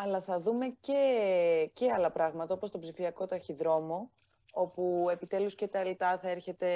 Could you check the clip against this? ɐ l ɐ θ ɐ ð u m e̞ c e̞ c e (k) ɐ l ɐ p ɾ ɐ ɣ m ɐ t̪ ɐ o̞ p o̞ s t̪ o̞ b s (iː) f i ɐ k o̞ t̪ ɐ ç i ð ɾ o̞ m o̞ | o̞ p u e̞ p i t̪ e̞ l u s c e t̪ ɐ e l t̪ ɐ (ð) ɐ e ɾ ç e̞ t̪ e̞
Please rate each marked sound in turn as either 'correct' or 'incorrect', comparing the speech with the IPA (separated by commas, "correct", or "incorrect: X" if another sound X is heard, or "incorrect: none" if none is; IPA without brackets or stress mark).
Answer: incorrect: none, incorrect: i, incorrect: θ